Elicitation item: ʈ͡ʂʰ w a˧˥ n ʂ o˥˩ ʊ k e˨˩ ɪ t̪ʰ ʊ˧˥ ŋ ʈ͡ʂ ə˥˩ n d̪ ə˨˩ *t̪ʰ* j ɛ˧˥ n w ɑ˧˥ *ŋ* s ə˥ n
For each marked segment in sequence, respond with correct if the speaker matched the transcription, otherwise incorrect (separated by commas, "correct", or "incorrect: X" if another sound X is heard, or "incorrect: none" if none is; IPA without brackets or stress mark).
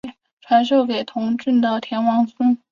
correct, correct